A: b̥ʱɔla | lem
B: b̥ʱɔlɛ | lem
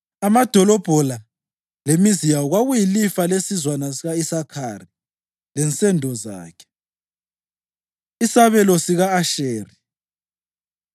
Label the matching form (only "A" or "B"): A